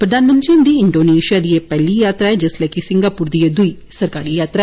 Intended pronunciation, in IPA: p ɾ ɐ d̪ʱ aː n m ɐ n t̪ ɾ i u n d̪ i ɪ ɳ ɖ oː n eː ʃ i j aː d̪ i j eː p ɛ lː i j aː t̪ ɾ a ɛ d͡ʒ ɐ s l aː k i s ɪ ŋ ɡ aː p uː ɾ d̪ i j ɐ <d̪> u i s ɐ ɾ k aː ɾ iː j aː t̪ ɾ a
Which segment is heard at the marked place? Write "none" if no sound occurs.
d̪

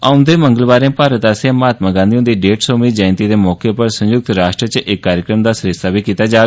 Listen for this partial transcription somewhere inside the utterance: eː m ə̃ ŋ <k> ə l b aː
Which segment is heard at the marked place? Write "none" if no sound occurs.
ɡ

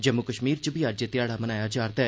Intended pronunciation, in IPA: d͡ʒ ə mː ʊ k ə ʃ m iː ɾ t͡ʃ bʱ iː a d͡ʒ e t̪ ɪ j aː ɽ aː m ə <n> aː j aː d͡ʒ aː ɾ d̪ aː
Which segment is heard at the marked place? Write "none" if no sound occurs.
n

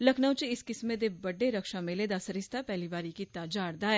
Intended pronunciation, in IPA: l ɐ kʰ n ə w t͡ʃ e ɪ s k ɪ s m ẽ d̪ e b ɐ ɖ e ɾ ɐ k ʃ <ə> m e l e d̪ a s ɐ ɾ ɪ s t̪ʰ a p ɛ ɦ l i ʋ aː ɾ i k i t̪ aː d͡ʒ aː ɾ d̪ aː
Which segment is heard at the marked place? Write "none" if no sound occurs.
a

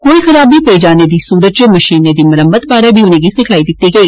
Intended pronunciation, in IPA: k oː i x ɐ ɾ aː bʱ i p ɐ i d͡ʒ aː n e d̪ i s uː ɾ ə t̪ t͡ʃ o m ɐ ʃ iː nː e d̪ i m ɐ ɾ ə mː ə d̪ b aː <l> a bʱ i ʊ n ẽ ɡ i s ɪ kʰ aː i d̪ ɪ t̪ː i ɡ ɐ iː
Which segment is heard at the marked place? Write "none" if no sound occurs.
ɾ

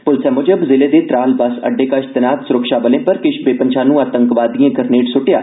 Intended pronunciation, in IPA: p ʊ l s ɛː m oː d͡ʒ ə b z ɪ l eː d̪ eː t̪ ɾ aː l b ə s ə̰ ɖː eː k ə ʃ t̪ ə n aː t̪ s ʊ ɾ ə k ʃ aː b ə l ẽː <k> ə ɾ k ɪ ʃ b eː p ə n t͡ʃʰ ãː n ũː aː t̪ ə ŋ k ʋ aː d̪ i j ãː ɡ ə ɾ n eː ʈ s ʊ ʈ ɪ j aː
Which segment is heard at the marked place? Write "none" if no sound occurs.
p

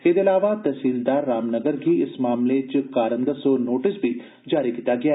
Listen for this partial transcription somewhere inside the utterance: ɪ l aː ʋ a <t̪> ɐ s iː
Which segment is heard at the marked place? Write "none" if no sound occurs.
t̪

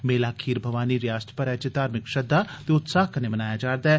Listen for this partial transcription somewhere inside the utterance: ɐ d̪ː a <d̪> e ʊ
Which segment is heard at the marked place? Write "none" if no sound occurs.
t̪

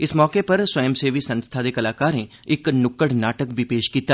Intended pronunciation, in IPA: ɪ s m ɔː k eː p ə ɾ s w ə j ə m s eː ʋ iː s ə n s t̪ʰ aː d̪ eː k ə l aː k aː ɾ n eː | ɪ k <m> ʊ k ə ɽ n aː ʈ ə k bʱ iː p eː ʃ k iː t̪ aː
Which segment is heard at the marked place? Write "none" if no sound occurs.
n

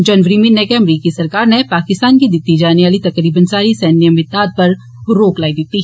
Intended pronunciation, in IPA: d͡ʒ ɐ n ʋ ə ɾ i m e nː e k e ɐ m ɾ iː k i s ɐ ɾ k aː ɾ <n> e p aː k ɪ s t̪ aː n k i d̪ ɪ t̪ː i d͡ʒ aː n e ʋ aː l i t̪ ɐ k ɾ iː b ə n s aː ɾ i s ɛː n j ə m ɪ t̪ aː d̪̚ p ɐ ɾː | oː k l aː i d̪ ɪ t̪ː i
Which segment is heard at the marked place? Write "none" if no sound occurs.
n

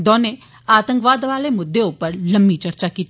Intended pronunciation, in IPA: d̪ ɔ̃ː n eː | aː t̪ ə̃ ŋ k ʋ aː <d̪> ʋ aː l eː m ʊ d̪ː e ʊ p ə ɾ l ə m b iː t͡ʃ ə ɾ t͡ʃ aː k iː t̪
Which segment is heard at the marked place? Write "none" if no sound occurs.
d̪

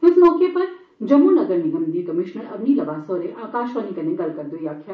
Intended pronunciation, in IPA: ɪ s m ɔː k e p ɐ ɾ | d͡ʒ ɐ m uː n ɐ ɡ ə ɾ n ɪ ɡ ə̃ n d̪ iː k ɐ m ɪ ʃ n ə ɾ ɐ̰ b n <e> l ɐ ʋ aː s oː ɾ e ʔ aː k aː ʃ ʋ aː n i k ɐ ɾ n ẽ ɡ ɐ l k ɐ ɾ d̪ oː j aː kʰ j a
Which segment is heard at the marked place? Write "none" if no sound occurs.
i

